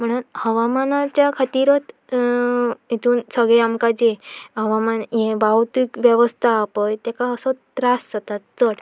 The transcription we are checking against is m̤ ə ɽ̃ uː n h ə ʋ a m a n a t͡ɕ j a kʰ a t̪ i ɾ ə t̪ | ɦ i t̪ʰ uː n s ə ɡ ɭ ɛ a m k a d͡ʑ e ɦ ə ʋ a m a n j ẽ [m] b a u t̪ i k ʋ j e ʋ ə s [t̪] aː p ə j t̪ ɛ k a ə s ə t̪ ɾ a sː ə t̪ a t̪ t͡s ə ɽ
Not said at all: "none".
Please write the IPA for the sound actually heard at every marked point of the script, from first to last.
none, t̪ʰ

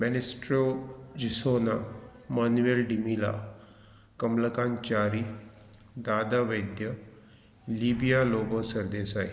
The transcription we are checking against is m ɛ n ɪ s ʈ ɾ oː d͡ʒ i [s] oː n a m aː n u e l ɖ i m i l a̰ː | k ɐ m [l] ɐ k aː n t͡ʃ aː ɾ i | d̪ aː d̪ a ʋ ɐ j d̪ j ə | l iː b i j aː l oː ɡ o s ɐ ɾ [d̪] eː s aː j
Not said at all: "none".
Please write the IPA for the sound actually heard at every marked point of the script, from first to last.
s, l, d̪

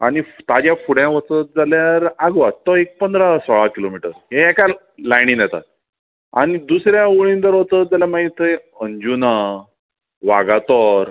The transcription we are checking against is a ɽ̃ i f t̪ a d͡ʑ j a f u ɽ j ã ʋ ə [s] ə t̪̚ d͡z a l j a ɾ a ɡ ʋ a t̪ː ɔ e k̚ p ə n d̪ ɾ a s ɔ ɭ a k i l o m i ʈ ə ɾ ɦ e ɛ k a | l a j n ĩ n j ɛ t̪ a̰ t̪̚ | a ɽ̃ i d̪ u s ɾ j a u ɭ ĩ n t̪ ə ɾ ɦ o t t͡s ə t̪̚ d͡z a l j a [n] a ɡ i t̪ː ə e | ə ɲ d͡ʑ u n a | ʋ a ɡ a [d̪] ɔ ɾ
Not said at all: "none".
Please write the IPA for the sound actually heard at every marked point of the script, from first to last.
t͡s, m, t̪

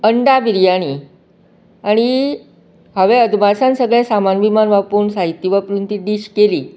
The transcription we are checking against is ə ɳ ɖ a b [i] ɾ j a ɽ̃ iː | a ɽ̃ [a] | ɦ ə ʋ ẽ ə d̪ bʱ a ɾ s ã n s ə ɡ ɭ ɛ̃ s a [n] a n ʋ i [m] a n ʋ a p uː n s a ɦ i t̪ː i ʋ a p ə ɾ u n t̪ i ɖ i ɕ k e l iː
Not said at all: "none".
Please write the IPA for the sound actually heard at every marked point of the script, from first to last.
i, i, m, m

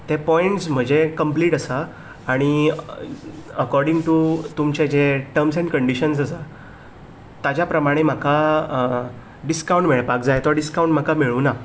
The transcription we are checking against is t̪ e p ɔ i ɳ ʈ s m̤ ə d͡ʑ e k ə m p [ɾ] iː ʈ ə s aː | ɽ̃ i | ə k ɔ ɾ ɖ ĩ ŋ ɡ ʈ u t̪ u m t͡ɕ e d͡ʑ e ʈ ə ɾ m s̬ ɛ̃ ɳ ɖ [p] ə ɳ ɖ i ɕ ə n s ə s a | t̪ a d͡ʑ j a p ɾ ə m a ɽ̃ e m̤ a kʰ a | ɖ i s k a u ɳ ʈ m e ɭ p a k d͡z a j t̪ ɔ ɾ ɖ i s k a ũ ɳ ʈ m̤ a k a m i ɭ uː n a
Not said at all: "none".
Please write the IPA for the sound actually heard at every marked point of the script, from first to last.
l, k

